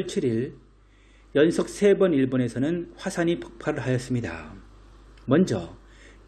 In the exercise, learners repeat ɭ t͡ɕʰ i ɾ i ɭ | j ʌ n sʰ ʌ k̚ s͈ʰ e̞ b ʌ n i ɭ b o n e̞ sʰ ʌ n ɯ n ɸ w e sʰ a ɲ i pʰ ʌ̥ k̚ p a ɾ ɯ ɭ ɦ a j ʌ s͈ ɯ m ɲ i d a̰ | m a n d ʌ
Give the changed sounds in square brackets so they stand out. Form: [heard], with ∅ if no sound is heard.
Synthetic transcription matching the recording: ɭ t͡ɕʰ i ɾ i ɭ | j ʌ n sʰ ʌ k̚ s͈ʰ e̞ b ʌ n i ɭ b o n e̞ sʰ ʌ n ɯ n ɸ w [a] sʰ a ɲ i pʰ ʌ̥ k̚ [pʰ] a ɾ ɯ ɭ ɦ a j ʌ s͈ ɯ m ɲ i d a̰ | m [ʌ] n [d͡ʑ] ʌ